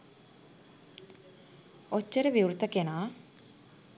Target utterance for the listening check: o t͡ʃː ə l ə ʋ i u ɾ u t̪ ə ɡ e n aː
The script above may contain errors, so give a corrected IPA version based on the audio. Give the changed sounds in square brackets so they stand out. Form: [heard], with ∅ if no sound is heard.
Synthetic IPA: o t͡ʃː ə [ɾ] ə ʋ i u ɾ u t̪ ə [k] e n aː